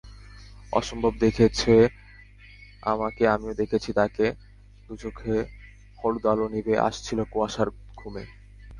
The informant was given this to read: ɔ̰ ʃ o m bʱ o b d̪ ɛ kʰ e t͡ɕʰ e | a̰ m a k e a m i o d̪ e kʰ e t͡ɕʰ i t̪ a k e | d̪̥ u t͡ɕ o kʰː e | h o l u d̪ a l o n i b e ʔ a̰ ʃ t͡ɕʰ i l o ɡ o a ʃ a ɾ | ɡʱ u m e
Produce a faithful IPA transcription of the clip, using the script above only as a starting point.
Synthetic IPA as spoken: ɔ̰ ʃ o m bʱ o b d̪ e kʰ e t͡ɕʰ e | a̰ m a k e a m i o d̪ e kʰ e t͡ɕʰ i t̪ a k e | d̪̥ u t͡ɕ o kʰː e | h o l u d̪ a l o n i b e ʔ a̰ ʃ t͡ɕʰ i l o k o a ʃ a ɾ | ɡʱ u m e